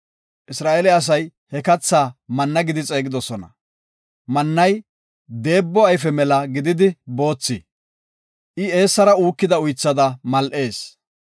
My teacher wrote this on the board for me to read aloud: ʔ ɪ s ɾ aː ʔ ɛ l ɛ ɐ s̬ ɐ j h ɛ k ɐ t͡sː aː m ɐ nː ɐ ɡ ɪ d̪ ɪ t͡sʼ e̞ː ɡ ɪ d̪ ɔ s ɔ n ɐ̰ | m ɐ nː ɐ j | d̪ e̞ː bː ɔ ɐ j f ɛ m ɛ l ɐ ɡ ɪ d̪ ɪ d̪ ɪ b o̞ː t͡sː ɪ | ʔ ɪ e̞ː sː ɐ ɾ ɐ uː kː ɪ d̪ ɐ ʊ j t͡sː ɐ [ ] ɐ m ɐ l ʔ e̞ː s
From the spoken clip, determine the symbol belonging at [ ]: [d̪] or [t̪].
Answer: d̪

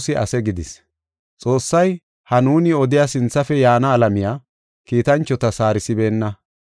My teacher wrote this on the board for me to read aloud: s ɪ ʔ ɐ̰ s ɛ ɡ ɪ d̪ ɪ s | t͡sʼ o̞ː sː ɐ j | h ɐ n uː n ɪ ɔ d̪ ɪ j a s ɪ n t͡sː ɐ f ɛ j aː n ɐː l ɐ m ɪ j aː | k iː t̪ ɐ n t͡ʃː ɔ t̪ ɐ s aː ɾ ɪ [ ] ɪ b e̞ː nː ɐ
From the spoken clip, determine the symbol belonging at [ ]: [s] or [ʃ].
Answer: s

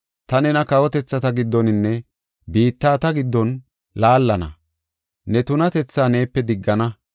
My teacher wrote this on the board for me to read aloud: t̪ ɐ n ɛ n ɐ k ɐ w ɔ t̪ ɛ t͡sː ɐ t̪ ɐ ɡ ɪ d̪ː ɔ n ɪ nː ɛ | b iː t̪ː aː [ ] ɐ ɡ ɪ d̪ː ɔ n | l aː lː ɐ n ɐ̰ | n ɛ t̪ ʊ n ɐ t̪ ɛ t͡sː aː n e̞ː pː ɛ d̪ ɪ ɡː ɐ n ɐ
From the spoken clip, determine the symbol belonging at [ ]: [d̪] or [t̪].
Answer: t̪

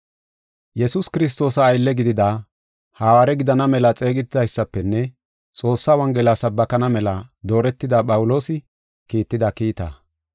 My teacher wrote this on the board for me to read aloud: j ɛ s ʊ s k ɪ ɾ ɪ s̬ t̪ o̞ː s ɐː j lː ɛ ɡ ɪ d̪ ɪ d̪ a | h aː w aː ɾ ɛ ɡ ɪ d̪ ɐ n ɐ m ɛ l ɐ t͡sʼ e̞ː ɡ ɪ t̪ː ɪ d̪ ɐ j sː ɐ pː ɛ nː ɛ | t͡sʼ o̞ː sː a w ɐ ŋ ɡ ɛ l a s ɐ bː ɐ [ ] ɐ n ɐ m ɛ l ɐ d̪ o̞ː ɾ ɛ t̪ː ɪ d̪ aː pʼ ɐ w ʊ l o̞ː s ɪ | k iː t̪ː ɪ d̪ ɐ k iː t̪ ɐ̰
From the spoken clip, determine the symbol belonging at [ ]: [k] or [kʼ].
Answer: k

